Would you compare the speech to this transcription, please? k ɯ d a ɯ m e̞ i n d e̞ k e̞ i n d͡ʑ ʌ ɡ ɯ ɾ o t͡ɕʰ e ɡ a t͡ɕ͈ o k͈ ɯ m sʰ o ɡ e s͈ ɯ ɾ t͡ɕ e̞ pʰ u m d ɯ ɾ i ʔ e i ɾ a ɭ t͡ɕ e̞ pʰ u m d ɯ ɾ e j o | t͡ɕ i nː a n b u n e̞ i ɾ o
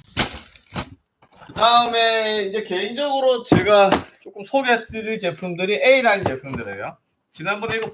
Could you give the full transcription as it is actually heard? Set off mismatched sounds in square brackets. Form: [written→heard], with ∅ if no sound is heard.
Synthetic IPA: k ɯ d a ɯ m e̞ i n [d→d͡ʑ] e̞ k e̞ i n d͡ʑ ʌ ɡ ɯ ɾ o [t͡ɕʰ→t͡ɕ] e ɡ a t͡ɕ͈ o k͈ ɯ m sʰ o ɡ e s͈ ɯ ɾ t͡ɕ e̞ pʰ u m d ɯ ɾ i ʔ e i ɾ a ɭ t͡ɕ e̞ pʰ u m d ɯ ɾ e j o | t͡ɕ i [nː→n] a n b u n e̞ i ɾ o